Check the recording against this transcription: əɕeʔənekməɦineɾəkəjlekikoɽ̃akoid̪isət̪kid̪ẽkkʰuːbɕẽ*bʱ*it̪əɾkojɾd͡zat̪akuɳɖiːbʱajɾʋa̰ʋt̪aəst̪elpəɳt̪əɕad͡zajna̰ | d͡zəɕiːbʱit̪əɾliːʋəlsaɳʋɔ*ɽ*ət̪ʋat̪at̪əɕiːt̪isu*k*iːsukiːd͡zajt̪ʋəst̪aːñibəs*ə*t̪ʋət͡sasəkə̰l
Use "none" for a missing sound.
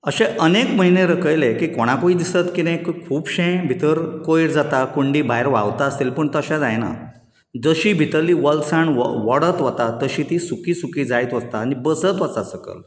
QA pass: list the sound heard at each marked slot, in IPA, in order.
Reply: bʱ, ɽ, k, ə

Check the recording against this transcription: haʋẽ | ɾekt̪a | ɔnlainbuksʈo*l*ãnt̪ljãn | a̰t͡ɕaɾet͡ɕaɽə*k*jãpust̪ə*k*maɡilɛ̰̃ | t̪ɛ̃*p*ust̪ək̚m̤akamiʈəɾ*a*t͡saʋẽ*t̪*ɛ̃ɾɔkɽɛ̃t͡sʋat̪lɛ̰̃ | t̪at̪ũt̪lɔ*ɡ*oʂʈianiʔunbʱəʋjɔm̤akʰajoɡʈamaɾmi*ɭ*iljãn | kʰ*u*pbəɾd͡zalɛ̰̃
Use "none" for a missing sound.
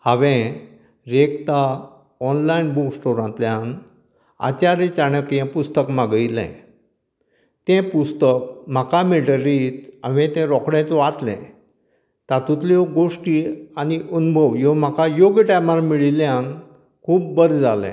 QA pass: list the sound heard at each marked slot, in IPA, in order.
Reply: ɾ, k, k, p, i, t̪, ɡ, ɭ, uː

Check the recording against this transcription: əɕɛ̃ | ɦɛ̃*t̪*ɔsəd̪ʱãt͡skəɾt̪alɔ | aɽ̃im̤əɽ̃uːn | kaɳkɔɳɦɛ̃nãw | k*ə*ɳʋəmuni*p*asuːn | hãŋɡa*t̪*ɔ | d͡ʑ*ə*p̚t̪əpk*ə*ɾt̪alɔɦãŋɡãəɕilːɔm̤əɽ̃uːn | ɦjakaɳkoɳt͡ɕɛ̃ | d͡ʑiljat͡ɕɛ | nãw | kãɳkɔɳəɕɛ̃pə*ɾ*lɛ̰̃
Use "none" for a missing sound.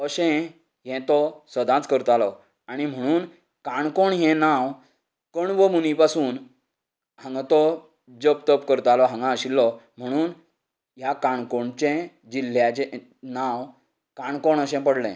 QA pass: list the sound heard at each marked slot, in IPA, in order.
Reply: t̪, ə, p, t̪, ə, ə, ɽ

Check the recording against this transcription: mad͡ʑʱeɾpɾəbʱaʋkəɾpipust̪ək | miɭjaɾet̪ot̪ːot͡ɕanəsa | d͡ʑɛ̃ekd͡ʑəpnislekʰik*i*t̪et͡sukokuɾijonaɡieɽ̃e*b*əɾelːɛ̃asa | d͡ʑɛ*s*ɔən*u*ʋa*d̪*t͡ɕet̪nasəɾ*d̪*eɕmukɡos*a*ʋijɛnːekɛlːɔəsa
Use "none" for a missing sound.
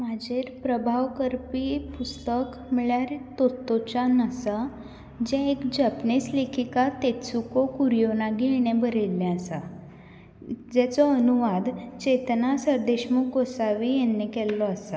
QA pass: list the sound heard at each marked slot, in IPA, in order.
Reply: a, b, t͡s, u, d̪, d̪, a

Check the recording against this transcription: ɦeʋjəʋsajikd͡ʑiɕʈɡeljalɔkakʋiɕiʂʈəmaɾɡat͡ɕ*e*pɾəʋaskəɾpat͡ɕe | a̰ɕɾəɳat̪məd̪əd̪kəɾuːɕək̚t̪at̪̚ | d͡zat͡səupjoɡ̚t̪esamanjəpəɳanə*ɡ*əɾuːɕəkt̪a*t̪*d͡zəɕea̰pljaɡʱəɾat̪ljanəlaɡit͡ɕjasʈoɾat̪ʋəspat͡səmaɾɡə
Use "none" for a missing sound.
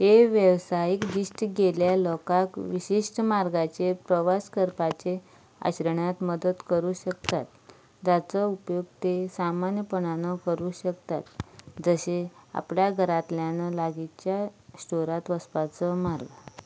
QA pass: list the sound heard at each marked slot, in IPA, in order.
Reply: e, k, t̪

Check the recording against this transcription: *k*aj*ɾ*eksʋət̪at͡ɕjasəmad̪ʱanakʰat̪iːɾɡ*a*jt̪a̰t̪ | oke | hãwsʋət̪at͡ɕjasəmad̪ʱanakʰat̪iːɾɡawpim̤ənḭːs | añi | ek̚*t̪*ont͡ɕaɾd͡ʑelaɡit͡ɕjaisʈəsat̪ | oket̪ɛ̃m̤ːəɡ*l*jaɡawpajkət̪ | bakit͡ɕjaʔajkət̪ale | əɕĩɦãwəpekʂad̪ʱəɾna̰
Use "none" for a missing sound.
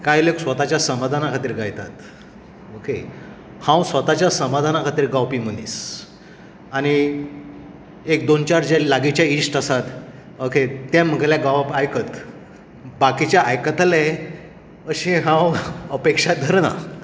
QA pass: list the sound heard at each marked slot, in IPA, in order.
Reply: k, l, a, d̪, l

